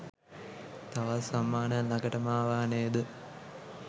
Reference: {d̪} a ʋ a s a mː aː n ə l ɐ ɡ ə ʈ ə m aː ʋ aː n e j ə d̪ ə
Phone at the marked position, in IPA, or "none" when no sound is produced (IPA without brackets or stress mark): t̪